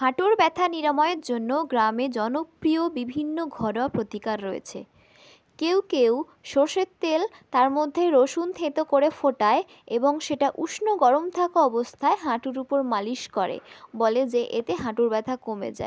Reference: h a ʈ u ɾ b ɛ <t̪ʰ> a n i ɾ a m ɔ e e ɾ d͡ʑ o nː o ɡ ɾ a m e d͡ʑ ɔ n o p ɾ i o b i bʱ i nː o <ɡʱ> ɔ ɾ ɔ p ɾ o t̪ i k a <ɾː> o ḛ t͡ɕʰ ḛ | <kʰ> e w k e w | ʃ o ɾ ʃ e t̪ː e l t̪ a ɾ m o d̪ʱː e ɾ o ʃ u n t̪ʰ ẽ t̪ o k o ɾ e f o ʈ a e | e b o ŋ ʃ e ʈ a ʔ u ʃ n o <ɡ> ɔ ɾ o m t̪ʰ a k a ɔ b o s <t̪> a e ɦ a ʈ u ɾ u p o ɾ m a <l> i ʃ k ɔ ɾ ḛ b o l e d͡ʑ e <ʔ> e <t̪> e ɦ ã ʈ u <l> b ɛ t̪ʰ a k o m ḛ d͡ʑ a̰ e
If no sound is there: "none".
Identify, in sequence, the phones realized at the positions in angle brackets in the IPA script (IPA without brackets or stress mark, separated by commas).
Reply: t̪ʰ, ɡʱ, ɾː, k, ɡ, t̪ʰ, l, ʔ, t̪, ɾ